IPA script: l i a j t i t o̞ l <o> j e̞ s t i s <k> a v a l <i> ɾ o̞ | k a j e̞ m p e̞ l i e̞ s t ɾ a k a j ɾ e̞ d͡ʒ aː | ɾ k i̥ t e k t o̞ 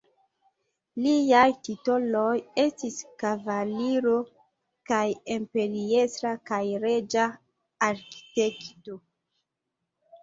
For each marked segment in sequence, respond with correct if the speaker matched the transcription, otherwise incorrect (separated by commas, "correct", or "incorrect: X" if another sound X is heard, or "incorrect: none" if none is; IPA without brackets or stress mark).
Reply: correct, correct, correct